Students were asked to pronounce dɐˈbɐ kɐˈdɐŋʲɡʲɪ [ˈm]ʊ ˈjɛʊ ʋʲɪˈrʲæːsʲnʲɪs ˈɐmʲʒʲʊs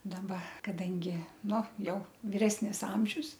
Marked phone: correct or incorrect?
incorrect